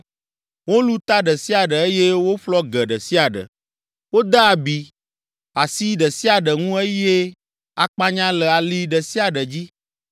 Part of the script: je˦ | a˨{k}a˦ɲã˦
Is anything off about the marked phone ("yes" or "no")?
yes